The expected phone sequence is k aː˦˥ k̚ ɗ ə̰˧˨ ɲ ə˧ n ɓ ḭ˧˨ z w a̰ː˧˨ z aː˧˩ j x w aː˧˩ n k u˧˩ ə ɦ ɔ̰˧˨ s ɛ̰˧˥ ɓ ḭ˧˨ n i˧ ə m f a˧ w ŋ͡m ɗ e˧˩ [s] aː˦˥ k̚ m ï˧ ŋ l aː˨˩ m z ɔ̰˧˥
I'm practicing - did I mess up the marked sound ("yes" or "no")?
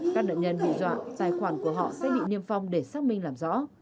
no